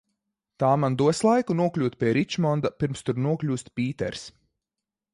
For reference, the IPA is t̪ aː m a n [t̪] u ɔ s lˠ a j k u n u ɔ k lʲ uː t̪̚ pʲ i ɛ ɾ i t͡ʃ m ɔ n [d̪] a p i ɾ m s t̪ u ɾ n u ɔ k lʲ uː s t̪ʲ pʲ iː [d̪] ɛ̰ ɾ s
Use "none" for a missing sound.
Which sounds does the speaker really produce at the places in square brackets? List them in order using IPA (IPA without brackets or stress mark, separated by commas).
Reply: d̪, d̪, t̪